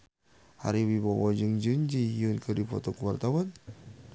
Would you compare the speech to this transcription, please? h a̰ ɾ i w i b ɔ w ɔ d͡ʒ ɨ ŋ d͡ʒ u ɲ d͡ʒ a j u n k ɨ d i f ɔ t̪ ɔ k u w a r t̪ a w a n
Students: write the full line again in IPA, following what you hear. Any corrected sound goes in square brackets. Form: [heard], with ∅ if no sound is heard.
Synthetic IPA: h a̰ ɾ i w i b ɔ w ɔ d͡ʒ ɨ ŋ d͡ʒ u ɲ d͡ʒ [i] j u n k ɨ d i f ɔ t̪ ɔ k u w a r t̪ a w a n